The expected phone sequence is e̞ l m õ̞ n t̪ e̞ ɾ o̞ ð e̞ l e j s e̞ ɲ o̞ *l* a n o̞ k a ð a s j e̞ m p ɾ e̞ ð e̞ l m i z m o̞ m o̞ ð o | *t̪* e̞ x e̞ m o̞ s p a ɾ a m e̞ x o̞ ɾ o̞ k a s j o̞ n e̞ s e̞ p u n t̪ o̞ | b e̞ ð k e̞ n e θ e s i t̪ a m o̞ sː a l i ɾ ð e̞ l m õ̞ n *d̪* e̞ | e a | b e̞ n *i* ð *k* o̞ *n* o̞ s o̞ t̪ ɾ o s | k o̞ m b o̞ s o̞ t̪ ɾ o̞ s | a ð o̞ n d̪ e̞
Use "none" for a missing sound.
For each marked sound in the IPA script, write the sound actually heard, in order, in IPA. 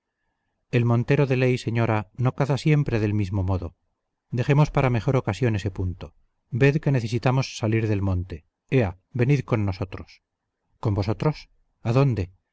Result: ɾ, d̪, t̪, i, k, nː

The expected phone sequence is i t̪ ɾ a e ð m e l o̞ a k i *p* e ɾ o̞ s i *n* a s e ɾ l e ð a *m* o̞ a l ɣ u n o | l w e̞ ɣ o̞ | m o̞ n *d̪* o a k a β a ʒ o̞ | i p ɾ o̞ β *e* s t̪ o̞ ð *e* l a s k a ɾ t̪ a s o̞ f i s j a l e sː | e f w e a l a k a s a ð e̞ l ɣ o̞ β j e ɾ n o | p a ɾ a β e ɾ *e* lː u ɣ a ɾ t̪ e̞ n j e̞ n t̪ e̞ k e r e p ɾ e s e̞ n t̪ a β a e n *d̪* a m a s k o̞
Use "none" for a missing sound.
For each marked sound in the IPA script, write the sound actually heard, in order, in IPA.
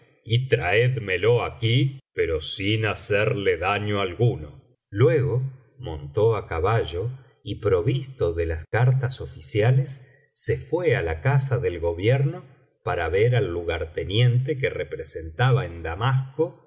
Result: p, n, ɲ, t̪, i, e, a, d̪

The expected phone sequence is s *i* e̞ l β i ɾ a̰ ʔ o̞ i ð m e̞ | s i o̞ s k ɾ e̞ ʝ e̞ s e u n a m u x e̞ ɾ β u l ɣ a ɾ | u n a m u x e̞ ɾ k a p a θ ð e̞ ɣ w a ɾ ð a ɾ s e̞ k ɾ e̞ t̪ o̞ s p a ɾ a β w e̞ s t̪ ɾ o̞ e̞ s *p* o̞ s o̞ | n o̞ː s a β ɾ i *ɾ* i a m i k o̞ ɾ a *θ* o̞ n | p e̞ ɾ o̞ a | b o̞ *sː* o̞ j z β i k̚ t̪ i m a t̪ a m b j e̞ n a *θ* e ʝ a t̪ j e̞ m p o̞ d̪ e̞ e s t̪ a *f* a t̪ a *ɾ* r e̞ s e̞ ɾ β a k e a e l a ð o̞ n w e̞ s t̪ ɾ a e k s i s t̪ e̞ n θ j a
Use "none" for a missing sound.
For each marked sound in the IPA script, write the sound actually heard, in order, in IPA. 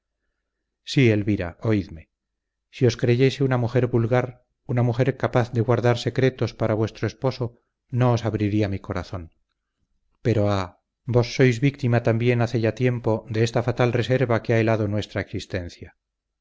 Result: i, p, ɾ, θ, sː, θ, f, l

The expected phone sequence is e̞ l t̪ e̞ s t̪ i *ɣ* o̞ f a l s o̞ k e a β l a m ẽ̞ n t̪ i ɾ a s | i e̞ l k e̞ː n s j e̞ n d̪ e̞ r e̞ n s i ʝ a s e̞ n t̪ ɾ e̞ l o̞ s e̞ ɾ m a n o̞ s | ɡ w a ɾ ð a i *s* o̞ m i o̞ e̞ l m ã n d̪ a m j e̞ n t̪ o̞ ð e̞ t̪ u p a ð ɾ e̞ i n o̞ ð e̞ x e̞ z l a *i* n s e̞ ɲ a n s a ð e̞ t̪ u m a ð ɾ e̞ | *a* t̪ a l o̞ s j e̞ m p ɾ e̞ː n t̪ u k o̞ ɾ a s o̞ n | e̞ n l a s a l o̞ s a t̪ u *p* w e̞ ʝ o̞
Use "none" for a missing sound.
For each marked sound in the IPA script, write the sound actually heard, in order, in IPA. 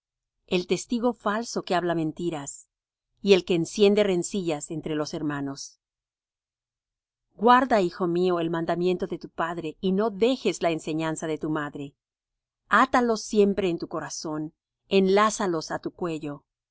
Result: ɣ, x, e, a, k

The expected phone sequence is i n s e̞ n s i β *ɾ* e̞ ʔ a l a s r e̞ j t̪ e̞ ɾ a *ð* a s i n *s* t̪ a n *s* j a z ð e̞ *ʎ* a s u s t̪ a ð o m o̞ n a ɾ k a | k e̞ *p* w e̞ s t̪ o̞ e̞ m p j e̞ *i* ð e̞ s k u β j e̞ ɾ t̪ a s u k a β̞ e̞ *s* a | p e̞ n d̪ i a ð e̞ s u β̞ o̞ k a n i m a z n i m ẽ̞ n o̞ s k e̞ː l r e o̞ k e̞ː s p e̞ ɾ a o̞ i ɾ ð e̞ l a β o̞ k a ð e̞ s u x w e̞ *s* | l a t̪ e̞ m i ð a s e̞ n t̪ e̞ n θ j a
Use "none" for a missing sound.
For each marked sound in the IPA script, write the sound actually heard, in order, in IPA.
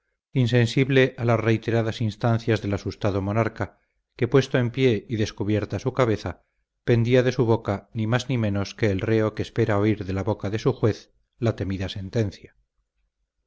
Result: l, ð, s, θ, l, p, i, θ, θ

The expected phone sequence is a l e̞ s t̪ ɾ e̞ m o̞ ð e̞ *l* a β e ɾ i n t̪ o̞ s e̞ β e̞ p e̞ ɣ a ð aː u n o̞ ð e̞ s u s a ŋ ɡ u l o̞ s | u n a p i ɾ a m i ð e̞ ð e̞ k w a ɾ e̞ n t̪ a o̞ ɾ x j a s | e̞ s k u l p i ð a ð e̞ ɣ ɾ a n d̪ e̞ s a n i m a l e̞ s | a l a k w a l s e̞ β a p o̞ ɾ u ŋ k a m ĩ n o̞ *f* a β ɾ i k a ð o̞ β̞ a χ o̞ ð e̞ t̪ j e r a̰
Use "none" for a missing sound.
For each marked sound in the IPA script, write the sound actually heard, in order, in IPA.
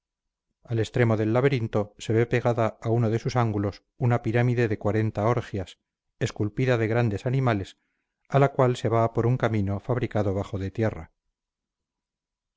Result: lː, f

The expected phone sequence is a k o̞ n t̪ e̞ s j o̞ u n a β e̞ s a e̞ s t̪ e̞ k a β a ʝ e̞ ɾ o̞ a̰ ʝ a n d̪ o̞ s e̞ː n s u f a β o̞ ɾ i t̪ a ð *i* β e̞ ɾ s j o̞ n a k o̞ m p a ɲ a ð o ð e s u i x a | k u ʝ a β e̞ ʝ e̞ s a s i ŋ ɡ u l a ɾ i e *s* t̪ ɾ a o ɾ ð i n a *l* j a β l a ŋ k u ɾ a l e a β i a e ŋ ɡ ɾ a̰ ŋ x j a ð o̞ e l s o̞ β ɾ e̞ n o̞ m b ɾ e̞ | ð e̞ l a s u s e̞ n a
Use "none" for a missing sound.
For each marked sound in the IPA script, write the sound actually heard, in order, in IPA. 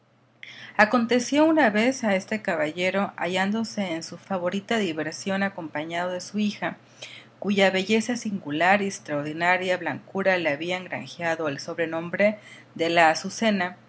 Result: i, s, ɾ

